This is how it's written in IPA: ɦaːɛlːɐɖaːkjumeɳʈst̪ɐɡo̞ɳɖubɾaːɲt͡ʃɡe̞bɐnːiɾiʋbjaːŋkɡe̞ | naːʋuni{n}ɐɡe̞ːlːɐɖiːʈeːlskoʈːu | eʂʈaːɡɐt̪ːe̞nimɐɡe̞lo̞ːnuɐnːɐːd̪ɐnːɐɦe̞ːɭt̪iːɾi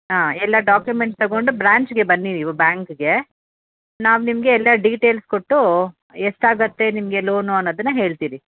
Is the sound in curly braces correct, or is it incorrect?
incorrect